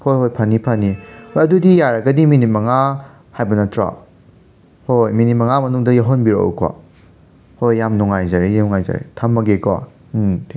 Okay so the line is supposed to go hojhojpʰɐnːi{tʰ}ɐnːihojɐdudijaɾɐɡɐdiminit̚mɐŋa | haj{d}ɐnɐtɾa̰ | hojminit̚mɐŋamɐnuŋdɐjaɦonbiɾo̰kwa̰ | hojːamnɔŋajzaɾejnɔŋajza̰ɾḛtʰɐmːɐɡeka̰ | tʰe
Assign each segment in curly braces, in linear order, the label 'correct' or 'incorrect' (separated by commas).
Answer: incorrect, incorrect